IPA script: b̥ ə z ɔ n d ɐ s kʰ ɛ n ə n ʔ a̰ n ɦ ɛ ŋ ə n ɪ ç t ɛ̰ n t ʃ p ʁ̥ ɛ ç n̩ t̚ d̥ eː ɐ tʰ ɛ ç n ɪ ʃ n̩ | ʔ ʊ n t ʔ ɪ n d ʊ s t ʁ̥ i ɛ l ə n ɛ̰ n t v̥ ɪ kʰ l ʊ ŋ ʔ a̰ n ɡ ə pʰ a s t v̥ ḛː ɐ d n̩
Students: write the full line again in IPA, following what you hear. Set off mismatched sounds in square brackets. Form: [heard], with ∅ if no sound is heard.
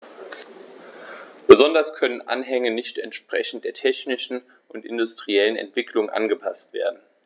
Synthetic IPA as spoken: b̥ ə z ɔ n d ɐ s kʰ [œ] n ə n ʔ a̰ n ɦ ɛ ŋ ə n ɪ ç t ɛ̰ n t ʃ p ʁ̥ ɛ ç n̩ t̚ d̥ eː ɐ tʰ ɛ ç n ɪ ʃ n̩ | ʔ ʊ n t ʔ ɪ n d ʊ s t ʁ̥ i ɛ l ə n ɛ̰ n t v̥ ɪ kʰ l ʊ ŋ ʔ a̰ n ɡ ə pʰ a s t v̥ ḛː ɐ d n̩